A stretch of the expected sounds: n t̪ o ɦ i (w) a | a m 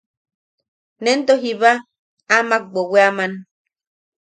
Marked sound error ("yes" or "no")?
yes